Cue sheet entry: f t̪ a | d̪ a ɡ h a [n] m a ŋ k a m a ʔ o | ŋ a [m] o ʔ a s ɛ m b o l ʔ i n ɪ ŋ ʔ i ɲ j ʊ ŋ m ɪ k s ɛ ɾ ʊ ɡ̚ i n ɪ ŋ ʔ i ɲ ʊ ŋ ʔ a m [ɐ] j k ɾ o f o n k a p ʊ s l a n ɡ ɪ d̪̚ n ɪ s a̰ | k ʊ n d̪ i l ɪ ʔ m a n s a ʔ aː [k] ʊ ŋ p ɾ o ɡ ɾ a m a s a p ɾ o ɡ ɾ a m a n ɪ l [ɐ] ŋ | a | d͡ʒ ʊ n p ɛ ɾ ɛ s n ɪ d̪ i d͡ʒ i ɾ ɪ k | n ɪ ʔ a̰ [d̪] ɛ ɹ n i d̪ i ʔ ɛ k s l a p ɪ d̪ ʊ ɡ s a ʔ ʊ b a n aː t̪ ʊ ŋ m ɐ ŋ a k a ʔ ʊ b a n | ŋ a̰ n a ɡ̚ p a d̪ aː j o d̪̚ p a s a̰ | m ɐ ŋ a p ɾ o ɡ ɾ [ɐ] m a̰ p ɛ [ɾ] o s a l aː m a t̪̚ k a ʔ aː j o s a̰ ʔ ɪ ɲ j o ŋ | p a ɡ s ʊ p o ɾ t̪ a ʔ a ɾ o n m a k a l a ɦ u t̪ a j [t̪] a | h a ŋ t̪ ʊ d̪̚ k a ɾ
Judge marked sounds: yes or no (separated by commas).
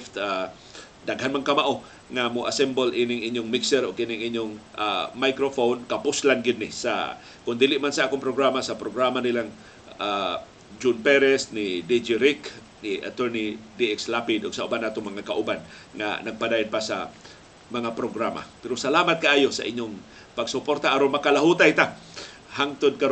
yes, yes, no, yes, no, no, no, yes, yes